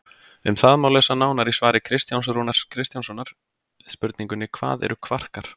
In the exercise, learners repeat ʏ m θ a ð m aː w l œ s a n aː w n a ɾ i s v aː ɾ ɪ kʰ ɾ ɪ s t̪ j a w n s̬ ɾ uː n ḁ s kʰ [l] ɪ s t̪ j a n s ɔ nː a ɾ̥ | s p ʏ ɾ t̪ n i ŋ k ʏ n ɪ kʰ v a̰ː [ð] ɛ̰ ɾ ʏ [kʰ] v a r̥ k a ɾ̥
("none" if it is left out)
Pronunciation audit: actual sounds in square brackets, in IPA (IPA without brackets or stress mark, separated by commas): ɾ, ð, kʰ